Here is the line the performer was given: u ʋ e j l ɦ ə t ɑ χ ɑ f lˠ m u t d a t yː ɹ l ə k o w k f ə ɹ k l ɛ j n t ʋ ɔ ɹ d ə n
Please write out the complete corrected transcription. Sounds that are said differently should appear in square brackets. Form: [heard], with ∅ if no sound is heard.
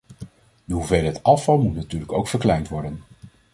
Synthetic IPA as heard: u [v] e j l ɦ ə t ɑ [f] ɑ [∅] lˠ m u t [n] a t yː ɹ l ə k o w k f ə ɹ k l ɛ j n t ʋ ɔ ɹ d ə n